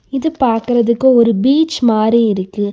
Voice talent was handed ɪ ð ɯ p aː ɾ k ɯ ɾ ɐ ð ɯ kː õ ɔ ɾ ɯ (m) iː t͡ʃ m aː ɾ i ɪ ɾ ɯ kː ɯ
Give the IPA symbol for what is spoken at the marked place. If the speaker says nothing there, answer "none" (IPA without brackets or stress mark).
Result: b